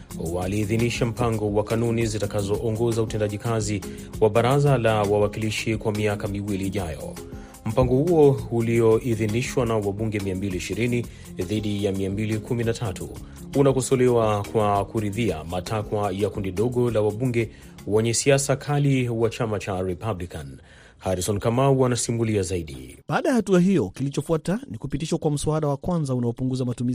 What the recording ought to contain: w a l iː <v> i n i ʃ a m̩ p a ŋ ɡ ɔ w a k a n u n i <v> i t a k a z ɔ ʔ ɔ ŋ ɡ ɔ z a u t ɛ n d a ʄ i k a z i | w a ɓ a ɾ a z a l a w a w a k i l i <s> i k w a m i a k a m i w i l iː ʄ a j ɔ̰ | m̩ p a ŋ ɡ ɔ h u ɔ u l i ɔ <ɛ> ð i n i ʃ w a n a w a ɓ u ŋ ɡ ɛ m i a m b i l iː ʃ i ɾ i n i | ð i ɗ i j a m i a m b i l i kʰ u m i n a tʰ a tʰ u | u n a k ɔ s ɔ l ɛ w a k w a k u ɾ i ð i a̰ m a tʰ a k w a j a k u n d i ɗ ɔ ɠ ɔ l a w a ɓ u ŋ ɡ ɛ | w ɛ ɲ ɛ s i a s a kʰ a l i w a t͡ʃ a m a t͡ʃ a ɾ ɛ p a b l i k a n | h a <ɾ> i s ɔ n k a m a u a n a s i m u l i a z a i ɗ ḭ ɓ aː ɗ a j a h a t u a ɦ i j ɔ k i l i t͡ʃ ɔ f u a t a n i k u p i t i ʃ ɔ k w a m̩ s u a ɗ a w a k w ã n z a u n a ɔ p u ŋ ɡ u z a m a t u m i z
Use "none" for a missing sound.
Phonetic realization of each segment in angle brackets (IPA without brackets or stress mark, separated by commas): ð, z, ʃ, i, ɾ